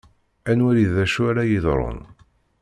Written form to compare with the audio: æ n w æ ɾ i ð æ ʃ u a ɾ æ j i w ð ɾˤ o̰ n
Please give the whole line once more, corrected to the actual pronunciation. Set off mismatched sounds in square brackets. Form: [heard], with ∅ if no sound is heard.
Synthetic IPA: æ n w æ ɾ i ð æ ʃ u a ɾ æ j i [∅] ð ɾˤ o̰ n